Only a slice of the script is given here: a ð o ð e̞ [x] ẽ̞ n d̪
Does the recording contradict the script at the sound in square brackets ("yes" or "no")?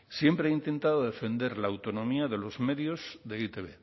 yes